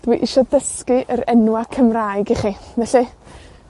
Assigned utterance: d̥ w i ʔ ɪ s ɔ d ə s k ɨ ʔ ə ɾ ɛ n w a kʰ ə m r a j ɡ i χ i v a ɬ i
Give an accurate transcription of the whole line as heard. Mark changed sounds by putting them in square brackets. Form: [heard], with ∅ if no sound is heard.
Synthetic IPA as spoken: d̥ w i ʔ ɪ [ʃ] ɔ d ə s k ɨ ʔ ə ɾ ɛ n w a kʰ ə m r a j ɡ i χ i v [ɛ] ɬ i